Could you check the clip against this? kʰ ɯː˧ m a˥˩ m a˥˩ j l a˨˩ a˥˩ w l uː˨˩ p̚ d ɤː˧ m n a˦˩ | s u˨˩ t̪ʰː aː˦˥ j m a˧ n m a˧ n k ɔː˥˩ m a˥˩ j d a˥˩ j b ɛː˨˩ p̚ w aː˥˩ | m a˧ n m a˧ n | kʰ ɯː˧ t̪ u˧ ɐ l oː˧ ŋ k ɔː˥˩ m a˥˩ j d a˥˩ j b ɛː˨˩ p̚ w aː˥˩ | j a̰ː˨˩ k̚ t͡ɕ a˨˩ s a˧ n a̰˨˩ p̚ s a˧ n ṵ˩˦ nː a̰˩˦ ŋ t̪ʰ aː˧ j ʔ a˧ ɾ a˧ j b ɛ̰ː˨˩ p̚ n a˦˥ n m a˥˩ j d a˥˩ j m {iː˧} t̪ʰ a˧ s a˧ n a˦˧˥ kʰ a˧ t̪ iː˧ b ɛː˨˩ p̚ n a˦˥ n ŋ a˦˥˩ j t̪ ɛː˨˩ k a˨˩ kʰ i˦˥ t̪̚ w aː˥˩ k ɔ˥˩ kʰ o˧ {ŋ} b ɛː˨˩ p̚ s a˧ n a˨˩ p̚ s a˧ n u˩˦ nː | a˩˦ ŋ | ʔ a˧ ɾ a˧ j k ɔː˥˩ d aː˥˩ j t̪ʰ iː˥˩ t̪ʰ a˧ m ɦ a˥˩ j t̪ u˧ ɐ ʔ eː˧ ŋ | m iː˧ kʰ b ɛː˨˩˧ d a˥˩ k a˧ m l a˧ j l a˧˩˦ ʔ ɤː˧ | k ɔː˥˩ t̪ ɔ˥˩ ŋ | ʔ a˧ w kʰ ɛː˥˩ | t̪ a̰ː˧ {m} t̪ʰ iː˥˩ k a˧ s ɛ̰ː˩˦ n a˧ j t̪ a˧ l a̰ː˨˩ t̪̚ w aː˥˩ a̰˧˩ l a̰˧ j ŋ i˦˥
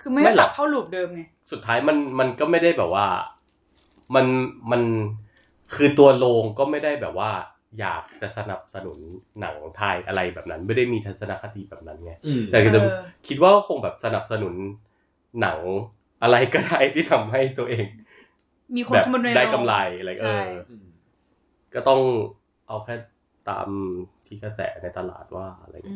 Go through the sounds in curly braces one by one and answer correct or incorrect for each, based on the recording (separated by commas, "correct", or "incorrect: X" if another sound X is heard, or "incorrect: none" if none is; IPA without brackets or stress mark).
correct, correct, correct